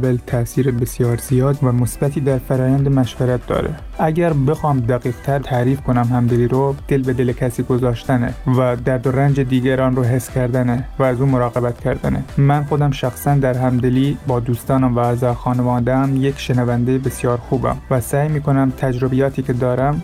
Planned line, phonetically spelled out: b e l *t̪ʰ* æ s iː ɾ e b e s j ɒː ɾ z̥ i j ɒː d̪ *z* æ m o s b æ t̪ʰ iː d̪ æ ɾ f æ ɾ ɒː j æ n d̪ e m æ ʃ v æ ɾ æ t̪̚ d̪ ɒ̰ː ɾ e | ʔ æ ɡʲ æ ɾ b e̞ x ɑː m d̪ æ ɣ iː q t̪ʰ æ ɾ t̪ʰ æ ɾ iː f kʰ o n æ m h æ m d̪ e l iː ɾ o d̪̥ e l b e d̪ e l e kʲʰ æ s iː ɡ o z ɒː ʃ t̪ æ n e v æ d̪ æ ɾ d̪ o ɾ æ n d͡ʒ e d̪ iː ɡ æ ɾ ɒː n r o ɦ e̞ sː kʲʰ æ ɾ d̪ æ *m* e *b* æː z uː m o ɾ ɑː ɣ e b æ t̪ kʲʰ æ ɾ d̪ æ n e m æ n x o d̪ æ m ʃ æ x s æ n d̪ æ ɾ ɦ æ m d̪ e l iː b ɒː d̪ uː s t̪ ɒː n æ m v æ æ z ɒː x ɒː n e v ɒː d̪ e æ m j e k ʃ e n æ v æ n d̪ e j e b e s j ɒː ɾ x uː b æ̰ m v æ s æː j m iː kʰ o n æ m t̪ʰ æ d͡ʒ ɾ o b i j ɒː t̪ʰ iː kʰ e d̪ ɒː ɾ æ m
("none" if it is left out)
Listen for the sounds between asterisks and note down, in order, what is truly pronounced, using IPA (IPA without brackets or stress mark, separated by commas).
t̪ʰ, v, n, v